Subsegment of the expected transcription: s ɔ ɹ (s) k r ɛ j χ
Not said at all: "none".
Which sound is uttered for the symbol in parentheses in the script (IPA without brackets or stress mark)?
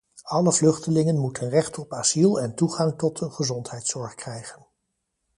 χ